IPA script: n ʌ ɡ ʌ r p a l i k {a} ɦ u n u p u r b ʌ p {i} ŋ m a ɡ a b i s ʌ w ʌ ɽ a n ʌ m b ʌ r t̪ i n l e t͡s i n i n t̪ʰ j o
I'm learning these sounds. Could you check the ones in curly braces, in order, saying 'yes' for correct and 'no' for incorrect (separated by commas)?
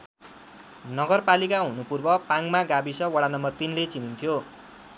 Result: yes, no